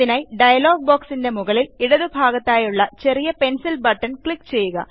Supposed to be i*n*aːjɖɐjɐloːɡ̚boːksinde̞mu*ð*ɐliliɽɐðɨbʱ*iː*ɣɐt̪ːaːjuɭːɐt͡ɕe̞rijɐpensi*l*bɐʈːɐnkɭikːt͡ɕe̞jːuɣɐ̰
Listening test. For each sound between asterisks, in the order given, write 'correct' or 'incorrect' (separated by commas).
correct, incorrect, incorrect, correct